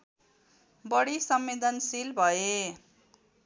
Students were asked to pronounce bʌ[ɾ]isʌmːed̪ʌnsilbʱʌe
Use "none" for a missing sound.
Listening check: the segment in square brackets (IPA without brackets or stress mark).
ɽ